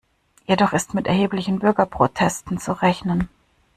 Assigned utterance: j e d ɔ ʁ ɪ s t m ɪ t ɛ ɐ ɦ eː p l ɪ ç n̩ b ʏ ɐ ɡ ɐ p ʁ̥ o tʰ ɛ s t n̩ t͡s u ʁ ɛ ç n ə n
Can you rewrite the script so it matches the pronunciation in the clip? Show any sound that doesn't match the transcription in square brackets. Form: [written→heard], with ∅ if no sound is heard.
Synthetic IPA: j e d ɔ [ʁ→χ] ɪ s t m ɪ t ɛ ɐ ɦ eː p l ɪ ç n̩ b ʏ ɐ ɡ ɐ p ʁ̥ o tʰ ɛ s t n̩ t͡s u ʁ ɛ ç n ə n